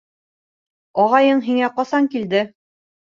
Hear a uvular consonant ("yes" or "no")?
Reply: yes